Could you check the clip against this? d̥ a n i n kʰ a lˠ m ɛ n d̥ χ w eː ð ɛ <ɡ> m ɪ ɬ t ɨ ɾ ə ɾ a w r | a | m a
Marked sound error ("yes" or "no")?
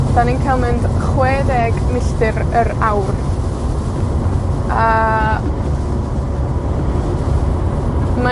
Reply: no